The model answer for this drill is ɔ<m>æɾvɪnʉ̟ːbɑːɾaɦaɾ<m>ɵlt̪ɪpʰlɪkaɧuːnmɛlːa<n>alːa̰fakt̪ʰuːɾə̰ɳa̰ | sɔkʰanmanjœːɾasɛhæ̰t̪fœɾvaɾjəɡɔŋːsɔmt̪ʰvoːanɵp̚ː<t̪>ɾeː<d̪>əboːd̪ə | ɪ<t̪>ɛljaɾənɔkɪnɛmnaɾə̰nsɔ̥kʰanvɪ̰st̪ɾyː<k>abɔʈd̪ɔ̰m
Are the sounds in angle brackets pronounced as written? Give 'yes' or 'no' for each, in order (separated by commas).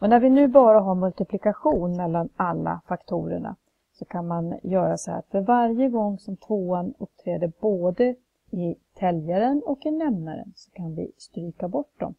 no, yes, yes, no, yes, no, yes